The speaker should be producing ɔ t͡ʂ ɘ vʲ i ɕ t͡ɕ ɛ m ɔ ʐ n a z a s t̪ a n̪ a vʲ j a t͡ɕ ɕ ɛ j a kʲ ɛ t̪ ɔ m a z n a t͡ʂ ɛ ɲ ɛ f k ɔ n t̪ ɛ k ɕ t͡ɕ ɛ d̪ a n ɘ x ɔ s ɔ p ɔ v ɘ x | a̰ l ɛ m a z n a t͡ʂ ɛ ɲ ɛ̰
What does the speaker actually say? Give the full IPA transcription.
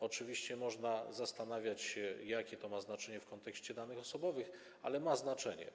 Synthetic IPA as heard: ɔ t͡ʂ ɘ vʲ i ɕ t͡ɕ ɛ m ɔ ʐ n a z a s t̪ a n̪ a vʲ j a t͡ɕ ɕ ɛ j a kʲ ɛ t̪ ɔ m a z n a t͡ʂ ɛ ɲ ɛ f k ɔ n t̪ ɛ k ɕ t͡ɕ ɛ d̪ a n ɘ x ɔ s ɔ b ɔ v ɘ x | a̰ l ɛ m a z n a t͡ʂ ɛ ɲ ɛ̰